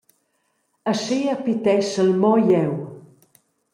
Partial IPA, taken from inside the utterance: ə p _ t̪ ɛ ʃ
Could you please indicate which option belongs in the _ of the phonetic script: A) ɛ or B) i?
B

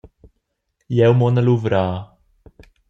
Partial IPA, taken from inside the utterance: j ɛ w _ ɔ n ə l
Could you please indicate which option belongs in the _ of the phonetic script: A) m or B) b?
A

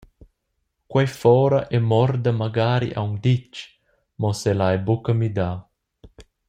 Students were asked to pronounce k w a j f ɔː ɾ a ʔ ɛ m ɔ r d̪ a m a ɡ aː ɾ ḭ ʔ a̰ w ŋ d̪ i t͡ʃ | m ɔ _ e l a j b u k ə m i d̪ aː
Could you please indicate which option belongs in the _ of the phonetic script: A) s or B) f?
A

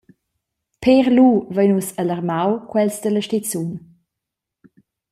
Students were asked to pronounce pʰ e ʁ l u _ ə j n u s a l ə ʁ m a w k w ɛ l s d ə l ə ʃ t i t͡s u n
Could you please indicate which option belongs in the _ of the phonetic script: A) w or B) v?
B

